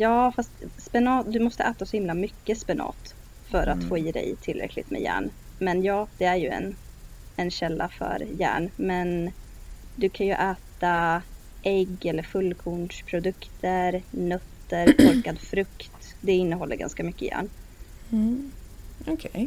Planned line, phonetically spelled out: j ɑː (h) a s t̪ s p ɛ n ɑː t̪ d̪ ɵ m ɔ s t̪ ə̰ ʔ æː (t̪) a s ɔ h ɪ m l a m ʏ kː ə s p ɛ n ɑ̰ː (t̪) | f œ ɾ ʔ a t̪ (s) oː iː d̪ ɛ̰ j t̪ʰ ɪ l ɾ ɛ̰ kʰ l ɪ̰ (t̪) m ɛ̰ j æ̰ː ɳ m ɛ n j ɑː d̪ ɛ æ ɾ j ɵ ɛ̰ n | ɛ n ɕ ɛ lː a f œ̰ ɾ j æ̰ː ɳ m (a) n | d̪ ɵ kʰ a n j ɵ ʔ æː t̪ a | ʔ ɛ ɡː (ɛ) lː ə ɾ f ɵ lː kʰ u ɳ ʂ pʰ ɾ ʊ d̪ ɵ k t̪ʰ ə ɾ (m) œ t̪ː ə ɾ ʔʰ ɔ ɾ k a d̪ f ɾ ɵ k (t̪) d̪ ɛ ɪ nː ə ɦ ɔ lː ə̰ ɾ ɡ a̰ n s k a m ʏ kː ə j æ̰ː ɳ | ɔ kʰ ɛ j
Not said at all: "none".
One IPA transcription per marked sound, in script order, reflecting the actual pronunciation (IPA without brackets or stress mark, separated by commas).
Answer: f, t̪, t̪, f, t̪, ɛ, ɛ, n, t̪